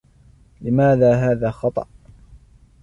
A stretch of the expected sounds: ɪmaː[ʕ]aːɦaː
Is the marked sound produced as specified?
no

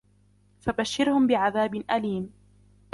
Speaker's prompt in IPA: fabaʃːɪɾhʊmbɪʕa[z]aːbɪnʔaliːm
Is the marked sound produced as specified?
no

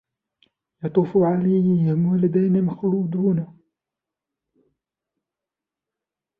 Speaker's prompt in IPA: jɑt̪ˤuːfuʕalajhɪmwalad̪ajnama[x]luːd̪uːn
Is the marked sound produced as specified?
yes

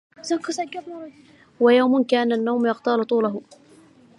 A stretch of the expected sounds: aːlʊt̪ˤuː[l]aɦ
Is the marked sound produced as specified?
yes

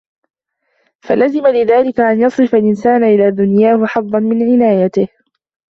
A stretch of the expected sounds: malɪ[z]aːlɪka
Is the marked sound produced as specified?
no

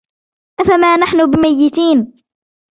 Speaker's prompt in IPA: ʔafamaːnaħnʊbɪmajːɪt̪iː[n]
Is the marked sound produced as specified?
yes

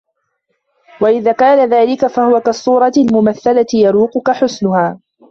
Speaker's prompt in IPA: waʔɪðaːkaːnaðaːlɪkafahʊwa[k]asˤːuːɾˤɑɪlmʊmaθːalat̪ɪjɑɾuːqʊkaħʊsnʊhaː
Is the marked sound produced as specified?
yes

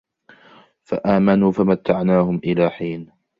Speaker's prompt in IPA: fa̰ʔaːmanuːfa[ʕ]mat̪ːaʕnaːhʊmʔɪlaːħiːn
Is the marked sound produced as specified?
no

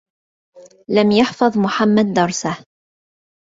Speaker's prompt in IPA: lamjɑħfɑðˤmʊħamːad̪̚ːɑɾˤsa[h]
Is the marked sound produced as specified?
yes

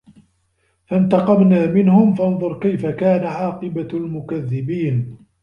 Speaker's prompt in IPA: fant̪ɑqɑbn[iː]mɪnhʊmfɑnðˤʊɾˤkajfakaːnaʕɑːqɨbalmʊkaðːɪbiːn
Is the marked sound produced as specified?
no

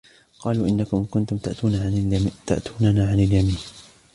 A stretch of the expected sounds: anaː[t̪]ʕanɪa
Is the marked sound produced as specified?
no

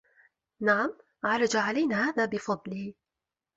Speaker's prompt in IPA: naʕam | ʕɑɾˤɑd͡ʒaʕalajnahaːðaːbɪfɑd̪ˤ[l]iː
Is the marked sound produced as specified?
yes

